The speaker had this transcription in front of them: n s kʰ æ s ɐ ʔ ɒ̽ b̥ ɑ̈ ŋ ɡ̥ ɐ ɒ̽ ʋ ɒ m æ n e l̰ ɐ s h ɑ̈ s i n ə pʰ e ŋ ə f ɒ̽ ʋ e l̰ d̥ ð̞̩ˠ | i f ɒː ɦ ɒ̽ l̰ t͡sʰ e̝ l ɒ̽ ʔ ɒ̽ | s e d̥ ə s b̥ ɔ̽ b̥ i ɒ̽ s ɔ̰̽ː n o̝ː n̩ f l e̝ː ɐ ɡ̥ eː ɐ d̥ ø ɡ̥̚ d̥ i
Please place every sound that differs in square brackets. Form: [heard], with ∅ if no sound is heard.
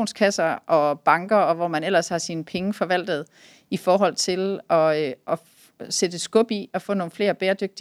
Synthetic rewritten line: n s kʰ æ s ɐ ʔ ɒ̽ b̥ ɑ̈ ŋ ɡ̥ ɐ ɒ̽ ʋ ɒ m æ n e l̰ ɐ s h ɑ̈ s i n ə pʰ e ŋ ə f ɒ̽ ʋ [æ] l̰ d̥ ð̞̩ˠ | i f ɒː ɦ ɒ̽ l̰ t͡sʰ e̝ l ɒ̽ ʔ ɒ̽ | s e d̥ ə s [ɡ̥] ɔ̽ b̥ i ɒ̽ [f] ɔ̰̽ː n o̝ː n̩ f l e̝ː ɐ [b̥] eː ɐ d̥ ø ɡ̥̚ d̥ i